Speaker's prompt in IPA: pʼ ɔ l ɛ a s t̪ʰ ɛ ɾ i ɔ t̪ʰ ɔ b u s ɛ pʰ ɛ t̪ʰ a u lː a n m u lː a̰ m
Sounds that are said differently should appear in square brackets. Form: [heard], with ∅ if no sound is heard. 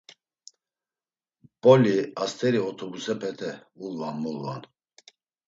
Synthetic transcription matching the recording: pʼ ɔ l [i] a s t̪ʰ ɛ ɾ i ɔ t̪ʰ ɔ b u s ɛ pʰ ɛ t̪ʰ [ɛ] u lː a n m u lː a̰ [n]